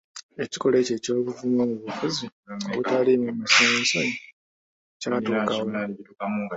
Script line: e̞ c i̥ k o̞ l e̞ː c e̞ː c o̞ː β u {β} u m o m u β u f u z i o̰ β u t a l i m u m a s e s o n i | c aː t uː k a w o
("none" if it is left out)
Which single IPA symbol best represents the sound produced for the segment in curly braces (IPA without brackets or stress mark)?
v